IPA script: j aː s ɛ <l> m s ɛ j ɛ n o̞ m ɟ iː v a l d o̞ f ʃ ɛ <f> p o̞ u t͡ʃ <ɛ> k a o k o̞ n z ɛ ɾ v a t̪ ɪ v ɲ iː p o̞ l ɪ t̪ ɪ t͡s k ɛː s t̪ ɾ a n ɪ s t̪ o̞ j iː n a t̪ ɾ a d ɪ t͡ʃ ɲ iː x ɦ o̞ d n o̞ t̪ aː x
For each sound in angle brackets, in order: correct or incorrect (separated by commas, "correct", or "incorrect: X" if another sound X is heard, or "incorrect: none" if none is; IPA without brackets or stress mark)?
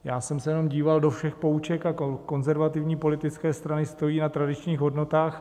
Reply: incorrect: none, incorrect: x, correct